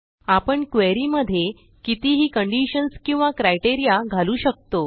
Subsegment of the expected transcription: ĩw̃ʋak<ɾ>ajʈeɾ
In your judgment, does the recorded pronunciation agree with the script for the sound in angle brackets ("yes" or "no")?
yes